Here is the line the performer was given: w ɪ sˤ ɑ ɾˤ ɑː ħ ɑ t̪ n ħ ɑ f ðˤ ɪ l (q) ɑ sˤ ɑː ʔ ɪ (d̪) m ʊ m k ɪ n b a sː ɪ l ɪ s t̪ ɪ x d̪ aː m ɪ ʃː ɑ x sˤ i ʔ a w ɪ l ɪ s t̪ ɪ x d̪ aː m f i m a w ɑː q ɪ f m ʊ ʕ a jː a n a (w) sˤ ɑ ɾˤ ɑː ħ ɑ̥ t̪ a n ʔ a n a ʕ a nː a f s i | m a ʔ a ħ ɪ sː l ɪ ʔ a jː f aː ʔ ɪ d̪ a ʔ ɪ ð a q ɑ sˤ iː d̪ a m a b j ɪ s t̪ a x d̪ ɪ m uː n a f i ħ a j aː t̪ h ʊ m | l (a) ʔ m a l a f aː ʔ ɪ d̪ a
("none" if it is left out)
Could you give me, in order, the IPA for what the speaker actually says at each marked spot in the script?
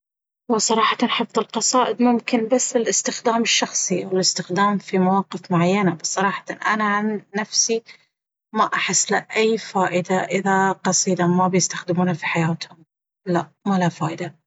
q, d̪, b, a

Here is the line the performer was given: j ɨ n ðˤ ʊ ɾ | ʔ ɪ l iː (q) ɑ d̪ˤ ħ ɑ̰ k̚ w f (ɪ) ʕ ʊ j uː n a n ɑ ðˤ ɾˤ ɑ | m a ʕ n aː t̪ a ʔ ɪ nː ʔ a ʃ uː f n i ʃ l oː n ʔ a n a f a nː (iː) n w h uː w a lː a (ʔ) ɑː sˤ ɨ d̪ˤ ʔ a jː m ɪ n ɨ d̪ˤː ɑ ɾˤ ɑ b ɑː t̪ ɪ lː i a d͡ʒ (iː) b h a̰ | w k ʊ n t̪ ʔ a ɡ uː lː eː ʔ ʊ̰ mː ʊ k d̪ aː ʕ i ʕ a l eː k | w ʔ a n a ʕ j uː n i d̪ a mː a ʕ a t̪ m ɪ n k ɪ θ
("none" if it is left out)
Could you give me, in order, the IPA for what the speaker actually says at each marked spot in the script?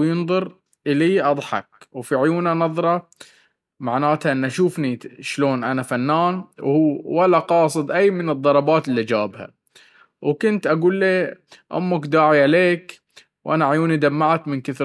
ʔ, i, aː, q, aː

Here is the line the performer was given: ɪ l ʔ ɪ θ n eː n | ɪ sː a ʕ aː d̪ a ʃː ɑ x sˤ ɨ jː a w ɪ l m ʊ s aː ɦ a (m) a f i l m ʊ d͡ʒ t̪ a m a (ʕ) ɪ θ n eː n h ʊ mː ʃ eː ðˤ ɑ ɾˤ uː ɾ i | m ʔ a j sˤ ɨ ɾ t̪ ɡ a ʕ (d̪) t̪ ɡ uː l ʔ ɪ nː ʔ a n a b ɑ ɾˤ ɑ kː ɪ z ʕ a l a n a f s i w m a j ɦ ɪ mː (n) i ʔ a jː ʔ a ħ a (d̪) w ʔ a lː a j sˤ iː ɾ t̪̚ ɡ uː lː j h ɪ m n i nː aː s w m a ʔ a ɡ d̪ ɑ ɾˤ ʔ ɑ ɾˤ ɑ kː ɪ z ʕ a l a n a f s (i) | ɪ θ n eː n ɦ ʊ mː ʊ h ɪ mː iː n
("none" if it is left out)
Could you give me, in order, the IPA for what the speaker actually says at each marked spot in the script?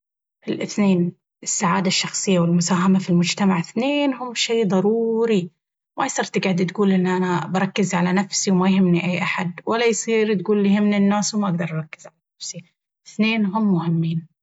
m, ʕ, d̪, n, d̪, i

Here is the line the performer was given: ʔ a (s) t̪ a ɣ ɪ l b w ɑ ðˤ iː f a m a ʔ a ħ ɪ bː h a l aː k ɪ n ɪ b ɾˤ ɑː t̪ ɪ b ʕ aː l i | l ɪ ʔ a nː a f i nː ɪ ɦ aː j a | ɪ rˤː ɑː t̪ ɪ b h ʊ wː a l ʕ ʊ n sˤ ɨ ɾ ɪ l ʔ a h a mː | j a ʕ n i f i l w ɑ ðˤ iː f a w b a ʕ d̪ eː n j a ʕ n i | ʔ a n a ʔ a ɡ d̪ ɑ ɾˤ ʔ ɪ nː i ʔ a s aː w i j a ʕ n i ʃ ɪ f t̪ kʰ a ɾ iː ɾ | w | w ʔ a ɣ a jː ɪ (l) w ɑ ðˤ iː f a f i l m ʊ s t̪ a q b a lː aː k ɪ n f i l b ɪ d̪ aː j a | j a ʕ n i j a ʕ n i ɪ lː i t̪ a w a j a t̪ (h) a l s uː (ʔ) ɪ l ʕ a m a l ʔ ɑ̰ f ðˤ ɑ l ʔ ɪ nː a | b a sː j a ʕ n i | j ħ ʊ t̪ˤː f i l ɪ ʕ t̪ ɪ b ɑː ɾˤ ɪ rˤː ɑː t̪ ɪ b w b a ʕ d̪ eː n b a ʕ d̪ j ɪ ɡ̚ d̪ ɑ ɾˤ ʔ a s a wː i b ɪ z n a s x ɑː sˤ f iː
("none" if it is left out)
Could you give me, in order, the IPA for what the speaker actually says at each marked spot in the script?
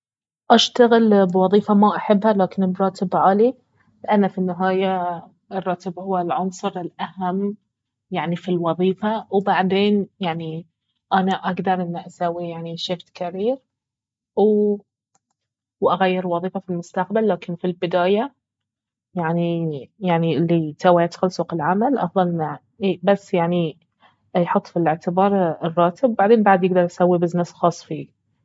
ʃ, ɾ, x, q

